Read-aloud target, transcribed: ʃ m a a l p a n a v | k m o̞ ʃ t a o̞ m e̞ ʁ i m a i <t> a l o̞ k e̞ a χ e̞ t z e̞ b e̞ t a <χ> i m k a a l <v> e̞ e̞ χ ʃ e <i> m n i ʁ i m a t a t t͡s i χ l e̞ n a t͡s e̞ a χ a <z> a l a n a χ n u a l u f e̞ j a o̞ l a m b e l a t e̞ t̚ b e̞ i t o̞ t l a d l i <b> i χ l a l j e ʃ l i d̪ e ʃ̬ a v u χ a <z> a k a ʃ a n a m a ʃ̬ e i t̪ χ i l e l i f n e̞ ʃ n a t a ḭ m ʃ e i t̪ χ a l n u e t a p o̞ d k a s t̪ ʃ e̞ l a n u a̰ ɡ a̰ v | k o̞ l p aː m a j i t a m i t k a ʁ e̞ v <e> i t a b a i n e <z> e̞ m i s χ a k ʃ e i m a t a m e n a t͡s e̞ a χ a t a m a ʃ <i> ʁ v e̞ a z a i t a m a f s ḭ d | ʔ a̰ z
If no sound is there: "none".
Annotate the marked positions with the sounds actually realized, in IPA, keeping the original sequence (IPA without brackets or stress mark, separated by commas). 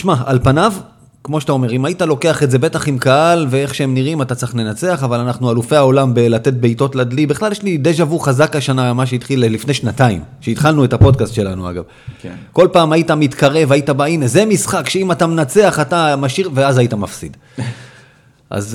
t, χ, v, e, v, b, z, a, z, i